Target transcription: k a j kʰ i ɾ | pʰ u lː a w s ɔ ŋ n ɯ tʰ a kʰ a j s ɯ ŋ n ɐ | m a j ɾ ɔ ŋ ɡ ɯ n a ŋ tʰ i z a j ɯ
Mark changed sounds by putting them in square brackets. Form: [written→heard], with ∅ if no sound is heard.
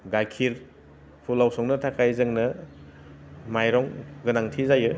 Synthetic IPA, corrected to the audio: [k→ɡ] a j kʰ i ɾ | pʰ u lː a w s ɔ ŋ n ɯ tʰ a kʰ a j [s→z] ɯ ŋ n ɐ | m a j ɾ ɔ ŋ ɡ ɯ n a ŋ tʰ i z a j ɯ